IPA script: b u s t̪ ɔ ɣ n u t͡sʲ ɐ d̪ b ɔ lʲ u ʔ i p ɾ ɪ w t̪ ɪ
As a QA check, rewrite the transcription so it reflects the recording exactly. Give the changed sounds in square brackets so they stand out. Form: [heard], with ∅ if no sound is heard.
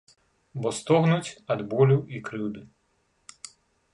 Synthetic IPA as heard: b [ɔ] s t̪ ɔ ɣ n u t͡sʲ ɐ d̪ b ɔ lʲ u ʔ i [k] ɾ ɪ w [d̪] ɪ